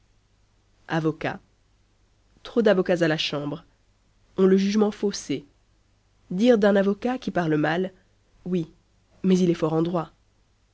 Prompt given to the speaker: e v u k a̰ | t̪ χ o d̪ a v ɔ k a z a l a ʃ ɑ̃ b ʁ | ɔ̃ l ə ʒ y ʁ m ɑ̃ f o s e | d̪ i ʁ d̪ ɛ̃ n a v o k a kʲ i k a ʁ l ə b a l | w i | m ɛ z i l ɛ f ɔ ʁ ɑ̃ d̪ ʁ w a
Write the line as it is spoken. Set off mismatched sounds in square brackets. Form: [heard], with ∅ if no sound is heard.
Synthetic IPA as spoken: [a] v [ɔ] k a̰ | t̪ χ o d̪ a v ɔ k a z a l a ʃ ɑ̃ b ʁ | ɔ̃ l ə ʒ y [ʒ] m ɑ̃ f o s e | d̪ i ʁ d̪ ɛ̃ n a v [ɔ] k a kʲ i [p] a ʁ l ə [m] a l | w i | m ɛ z i l ɛ f ɔ ʁ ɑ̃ d̪ ʁ w a